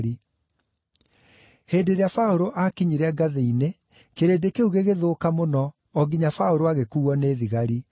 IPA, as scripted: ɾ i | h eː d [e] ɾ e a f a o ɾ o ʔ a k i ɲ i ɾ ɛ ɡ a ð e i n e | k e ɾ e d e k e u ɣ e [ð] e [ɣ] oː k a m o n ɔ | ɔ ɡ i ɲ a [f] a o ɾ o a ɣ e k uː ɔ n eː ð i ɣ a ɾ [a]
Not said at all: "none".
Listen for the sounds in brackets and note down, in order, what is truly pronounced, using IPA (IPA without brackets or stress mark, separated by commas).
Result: e, ɣ, ð, f, i